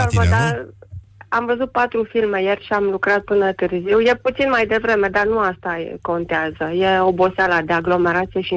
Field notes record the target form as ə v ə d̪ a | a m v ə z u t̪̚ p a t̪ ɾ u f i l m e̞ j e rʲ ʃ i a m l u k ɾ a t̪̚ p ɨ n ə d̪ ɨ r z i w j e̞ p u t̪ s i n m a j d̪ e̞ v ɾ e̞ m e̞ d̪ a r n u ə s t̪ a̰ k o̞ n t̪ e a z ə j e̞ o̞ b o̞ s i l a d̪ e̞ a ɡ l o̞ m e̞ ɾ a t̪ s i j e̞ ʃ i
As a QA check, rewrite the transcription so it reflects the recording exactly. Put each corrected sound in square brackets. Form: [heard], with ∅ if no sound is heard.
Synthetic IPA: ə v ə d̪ a | a m v ə z u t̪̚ p a t̪ ɾ u f i l m e̞ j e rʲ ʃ i a m l u k ɾ a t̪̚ p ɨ n ə [t̪] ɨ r z i w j e̞ p u t̪ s i n m a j d̪ e̞ v ɾ e̞ m e̞ d̪ a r n u [a] s t̪ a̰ k o̞ n t̪ e a z ə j e̞ o̞ b o̞ s [a] l a d̪ e̞ a ɡ l o̞ m e̞ ɾ a t̪ s i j e̞ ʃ i